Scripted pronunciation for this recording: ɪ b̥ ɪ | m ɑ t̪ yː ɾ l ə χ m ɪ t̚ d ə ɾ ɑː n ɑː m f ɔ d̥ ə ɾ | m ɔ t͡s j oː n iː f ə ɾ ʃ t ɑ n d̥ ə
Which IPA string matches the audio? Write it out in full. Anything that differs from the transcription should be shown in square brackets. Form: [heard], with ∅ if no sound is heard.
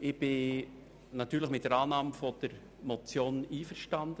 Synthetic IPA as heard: ɪ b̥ ɪ | [n] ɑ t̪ yː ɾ l ə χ m ɪ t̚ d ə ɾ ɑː n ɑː m f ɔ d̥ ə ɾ | m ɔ t͡s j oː n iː f ə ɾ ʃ t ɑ n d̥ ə